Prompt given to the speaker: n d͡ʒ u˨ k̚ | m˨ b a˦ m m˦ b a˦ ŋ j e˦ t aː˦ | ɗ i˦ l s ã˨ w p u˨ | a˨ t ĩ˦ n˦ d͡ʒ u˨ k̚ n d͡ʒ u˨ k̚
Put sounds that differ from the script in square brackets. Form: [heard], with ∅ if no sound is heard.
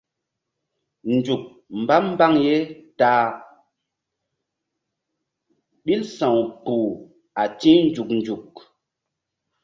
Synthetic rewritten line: n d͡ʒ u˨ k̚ | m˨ b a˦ m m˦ b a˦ ŋ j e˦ t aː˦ | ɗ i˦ l s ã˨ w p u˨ | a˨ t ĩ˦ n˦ d͡ʒ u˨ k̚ n d͡ʒ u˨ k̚